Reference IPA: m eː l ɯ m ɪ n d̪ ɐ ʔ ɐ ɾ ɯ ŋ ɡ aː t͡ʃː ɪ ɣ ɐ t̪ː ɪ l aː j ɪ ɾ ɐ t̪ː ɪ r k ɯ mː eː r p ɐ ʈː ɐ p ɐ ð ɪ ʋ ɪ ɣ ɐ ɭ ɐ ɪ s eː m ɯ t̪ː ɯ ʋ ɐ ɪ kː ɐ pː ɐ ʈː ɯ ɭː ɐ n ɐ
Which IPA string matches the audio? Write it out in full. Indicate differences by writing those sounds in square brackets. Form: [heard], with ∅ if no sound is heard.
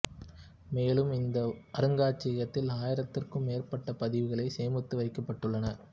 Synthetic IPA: m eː l ɯ m ɪ n d̪ ɐ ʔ ɐ ɾ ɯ ŋ ɡ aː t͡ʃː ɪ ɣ ɐ t̪ː ɪ l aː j ɪ ɾ ɐ t̪ː ɪ r k ɯ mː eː r p ɐ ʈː ɐ p ɐ ð ɪ ʋ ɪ ɣ ɐ ɭ ɐ ɪ s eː m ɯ t̪ː ɯ ʋ ɐ ɪ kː ɐ pː ɐ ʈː ɯ ɭː ɐ n ɐ